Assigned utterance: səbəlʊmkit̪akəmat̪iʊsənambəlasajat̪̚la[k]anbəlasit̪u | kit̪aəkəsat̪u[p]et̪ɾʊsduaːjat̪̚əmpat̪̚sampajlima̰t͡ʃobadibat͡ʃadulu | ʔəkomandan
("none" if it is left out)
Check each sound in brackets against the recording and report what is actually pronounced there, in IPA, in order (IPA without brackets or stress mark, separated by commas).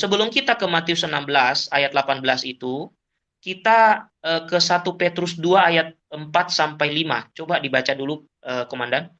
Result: p, p